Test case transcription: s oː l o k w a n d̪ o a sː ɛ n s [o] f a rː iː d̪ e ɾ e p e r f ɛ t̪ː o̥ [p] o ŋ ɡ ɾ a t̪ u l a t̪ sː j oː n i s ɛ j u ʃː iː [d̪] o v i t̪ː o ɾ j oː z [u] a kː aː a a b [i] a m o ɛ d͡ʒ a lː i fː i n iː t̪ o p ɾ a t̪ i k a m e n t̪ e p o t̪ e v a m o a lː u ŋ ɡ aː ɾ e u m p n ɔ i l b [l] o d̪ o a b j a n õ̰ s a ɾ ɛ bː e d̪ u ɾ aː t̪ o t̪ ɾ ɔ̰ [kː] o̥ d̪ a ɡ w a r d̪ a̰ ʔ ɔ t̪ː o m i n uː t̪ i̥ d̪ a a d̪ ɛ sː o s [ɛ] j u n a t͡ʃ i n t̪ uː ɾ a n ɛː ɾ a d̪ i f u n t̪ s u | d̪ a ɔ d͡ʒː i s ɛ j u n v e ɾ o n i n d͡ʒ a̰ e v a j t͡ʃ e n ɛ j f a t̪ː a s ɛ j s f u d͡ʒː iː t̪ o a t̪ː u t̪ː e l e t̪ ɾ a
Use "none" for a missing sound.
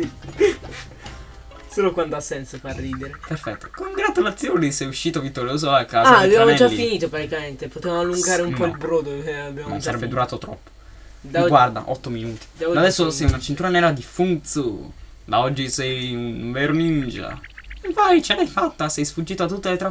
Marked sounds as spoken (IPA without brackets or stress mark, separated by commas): o, k, t̪, o, j, ɾ, pː, ɛ